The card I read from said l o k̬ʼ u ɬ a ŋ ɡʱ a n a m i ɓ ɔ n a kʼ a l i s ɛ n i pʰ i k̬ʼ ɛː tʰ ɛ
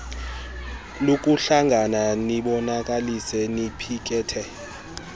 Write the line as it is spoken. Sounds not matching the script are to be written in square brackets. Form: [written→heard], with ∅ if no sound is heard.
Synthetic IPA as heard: l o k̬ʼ u ɬ a ŋ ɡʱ a n a [m→n] i ɓ ɔ n a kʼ a l i s ɛ n i pʰ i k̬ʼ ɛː tʰ ɛ